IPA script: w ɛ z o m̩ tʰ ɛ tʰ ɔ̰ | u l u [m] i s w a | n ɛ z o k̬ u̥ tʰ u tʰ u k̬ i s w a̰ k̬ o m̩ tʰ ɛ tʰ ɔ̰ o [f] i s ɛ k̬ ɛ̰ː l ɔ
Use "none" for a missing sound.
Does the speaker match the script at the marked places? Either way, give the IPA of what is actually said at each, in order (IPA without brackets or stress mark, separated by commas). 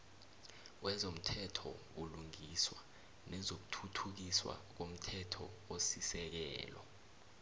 ŋ, s